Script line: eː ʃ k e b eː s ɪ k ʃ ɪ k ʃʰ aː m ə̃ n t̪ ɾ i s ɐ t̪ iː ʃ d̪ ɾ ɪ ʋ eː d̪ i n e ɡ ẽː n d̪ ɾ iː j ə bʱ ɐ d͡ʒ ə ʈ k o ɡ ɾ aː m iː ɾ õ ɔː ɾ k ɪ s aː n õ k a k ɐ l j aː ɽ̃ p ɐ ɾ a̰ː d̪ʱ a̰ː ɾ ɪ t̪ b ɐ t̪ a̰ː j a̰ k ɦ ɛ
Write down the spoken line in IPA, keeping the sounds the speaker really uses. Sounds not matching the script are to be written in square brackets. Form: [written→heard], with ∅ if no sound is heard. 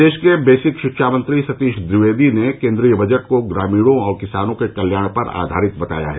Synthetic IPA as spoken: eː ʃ k e b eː s ɪ k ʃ ɪ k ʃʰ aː m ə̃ n t̪ ɾ i s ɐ t̪ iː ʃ d̪ ɾ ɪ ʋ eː d̪ i n e [ɡ→k] ẽː n d̪ ɾ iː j ə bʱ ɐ d͡ʒ ə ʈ k o ɡ ɾ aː m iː [ɾ→ɽ] õ ɔː ɾ k ɪ s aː n õ k [a→e] k ɐ l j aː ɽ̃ p ɐ ɾ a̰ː d̪ʱ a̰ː ɾ ɪ t̪ b ɐ t̪ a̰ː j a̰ [k→∅] ɦ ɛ